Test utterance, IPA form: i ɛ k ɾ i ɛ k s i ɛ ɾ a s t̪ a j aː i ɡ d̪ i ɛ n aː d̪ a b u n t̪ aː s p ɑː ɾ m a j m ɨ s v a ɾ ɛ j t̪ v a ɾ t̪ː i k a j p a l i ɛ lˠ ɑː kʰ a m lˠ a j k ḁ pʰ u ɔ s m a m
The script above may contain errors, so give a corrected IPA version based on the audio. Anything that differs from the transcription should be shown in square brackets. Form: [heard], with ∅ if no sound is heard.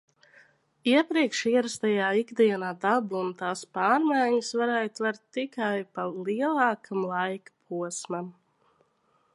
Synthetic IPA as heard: i ɛ [p] ɾ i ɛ k [ʃ] i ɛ ɾ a s t̪ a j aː i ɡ d̪ i ɛ n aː d̪ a b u n t̪ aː s p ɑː ɾ m a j [ɲ] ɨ s v a ɾ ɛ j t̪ v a ɾ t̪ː i k a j p a l i ɛ lˠ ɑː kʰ a m lˠ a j k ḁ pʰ u ɔ s m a m